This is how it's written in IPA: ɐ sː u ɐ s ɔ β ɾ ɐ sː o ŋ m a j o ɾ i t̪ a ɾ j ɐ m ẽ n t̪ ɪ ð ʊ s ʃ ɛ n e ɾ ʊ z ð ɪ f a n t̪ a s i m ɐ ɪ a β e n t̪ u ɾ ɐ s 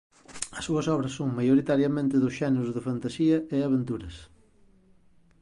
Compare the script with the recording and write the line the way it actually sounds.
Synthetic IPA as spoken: ɐ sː u ɐ s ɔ β ɾ ɐ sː o ŋ m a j o ɾ i t̪ a ɾ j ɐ m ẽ n t̪ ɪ ð ʊ s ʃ ɛ n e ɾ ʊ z ð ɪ f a n t̪ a s i ɐ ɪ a β e n t̪ u ɾ ɐ s